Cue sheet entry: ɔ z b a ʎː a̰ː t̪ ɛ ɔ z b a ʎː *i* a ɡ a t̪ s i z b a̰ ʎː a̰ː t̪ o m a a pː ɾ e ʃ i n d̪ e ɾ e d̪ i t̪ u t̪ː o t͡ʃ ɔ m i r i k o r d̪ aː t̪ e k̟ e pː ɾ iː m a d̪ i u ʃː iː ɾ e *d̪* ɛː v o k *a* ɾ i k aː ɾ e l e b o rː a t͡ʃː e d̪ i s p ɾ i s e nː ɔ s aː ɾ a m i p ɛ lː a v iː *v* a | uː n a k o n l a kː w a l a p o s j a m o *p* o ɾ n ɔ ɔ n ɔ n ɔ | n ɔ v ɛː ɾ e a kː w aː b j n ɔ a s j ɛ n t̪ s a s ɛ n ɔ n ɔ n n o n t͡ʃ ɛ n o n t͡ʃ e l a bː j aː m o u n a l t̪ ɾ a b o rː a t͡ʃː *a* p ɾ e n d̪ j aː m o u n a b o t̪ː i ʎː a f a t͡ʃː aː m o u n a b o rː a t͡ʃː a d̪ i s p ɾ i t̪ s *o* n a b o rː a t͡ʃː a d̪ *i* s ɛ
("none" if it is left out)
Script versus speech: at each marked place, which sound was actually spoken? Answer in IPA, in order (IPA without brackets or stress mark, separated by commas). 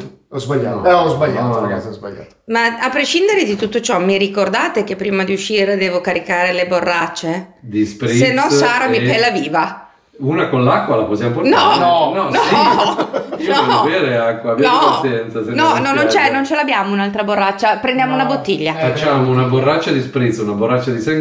a, d̪, a, v, p, a, u, i